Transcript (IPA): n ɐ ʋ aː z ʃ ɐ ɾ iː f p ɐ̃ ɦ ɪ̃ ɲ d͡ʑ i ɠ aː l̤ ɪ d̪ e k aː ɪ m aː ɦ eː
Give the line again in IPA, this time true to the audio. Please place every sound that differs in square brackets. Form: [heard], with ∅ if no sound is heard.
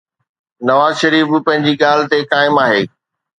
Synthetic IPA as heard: n ɐ ʋ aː z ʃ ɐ ɾ iː f p ɐ̃ ɦ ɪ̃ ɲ d͡ʑ i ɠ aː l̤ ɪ [t̪] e k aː ɪ m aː ɦ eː